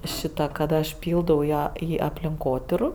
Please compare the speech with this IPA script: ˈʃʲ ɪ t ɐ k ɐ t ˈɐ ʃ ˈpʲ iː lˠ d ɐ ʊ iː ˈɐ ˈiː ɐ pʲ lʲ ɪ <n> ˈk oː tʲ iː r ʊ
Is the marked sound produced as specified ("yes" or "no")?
no